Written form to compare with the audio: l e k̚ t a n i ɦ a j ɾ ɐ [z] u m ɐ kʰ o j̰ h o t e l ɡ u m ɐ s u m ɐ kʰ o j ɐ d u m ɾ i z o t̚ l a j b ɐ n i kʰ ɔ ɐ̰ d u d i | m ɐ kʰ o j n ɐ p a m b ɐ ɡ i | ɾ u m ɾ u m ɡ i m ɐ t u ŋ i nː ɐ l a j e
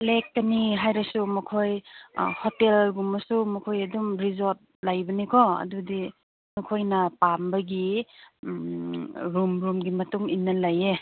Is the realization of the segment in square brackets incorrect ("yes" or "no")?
yes